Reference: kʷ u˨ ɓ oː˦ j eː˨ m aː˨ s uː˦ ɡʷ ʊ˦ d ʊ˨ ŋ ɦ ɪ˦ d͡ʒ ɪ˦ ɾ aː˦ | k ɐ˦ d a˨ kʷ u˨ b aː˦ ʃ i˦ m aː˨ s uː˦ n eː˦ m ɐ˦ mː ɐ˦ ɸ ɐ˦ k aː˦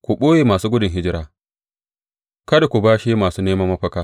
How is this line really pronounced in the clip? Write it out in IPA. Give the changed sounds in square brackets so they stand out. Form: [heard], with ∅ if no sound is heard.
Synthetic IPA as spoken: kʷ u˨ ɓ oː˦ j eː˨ m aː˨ s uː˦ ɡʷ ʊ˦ d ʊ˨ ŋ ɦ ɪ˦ d͡ʒ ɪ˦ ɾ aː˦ | k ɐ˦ d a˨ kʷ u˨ b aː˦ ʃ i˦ m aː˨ s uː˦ n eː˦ m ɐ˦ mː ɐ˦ ɸ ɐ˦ k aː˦